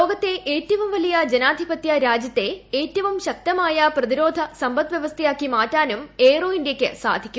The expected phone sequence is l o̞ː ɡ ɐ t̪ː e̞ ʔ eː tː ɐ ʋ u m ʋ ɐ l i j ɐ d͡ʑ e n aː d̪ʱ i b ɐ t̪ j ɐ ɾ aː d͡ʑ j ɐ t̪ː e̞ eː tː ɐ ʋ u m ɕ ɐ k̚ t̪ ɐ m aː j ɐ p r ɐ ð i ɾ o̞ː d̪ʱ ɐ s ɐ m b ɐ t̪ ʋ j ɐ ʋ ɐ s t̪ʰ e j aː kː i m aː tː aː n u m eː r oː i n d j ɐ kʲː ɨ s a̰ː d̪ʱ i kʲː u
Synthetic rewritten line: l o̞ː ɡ ɐ t̪ː e̞ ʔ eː tː ɐ ʋ u m ʋ ɐ l i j ɐ d͡ʑ e n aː d̪ʱ i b ɐ t̪ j ɐ ɾ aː d͡ʑ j ɐ t̪ː e̞ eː tː ɐ ʋ u m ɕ ɐ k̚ t̪ ɐ m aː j ɐ p r ɐ ð i ɾ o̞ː d̪ʱ ɐ s ɐ m b ɐ t̪ ʋ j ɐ ʋ ɐ s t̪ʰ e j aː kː i m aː tː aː n u m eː r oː i n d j ɐ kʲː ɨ s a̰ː d̪ʱ i kʲː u